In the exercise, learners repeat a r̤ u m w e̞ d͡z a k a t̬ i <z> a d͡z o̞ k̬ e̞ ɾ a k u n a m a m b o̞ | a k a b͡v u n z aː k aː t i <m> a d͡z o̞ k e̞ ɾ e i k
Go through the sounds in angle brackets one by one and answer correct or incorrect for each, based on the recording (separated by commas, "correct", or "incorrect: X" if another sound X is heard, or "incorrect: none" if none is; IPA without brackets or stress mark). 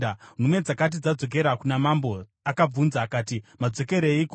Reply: incorrect: d͡z, correct